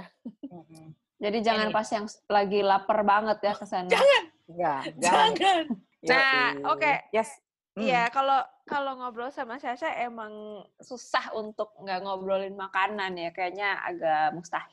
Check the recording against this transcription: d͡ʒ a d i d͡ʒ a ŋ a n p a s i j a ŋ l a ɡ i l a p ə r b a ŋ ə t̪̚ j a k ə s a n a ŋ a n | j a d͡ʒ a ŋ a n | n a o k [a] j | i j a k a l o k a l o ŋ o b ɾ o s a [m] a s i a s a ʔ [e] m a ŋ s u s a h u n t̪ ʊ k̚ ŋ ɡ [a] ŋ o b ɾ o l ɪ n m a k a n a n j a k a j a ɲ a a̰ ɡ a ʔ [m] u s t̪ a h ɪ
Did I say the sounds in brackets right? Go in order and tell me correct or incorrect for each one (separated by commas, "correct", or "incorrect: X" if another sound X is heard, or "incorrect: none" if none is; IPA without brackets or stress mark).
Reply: incorrect: e, correct, correct, correct, correct